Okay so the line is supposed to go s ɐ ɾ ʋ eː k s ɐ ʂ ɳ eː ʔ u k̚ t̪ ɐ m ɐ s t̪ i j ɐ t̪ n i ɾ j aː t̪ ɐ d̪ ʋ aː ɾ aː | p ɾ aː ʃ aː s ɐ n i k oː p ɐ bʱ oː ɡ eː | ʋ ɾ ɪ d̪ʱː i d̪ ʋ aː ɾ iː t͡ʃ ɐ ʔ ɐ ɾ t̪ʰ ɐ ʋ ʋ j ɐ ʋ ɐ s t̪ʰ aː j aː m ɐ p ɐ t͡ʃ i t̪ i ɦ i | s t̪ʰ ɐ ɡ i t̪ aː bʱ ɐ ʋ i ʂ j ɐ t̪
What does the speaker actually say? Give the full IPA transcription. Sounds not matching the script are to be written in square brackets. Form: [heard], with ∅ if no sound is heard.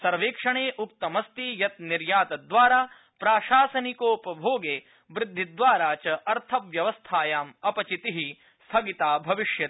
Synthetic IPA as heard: s ɐ ɾ ʋ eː k [ʂ] ɐ [∅] ɳ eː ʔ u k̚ t̪ ɐ m ɐ s t̪ i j ɐ t̪ n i ɾ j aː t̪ ɐ d̪ ʋ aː ɾ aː | p ɾ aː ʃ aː s ɐ n i k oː p ɐ bʱ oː ɡ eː | ʋ ɾ ɪ d̪ʱː i d̪ ʋ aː ɾ [aː] t͡ʃ ɐ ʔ ɐ ɾ t̪ʰ ɐ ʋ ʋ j ɐ ʋ ɐ s t̪ʰ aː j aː m ɐ p ɐ t͡ʃ i t̪ i ɦ i | s t̪ʰ ɐ ɡ i t̪ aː bʱ ɐ ʋ i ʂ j ɐ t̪